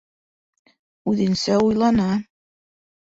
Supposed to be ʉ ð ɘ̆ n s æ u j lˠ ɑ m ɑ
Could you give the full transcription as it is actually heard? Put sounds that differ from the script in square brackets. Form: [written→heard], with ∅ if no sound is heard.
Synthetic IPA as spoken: ʉ ð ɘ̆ n s æ u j lˠ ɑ [m→n] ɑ